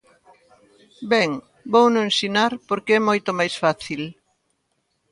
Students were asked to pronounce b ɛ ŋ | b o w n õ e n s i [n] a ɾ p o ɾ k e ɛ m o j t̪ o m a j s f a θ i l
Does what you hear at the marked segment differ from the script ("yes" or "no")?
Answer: no